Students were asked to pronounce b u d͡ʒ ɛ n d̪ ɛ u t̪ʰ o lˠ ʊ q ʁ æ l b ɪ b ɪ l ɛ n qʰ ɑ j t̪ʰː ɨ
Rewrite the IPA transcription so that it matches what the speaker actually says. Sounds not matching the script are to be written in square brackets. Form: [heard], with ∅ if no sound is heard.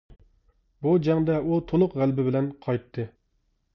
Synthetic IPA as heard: b u d͡ʒ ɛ [ŋ] d̪ ɛ u t̪ʰ o lˠ ʊ q ʁ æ l b ɪ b ɪ l ɛ n qʰ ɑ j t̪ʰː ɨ